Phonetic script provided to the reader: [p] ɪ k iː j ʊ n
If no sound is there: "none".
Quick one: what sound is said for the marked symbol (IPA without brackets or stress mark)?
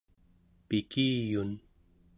p